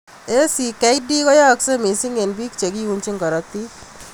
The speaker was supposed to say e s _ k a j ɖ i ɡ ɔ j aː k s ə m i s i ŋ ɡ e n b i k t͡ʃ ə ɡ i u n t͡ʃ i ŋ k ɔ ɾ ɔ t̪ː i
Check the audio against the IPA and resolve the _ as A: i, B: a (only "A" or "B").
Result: A